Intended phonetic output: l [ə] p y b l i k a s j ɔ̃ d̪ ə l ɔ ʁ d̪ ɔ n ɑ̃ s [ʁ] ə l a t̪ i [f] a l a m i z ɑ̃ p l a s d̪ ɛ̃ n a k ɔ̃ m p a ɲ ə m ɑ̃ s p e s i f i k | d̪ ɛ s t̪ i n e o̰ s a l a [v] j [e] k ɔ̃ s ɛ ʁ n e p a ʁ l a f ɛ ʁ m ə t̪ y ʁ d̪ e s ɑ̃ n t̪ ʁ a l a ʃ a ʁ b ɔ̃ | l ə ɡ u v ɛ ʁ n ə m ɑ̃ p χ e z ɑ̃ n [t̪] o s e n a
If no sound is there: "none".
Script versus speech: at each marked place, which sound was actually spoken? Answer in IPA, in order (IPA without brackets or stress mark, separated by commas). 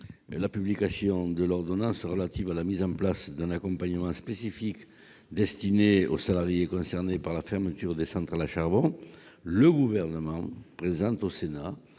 a, ʁ, v, ʁ, e, t̪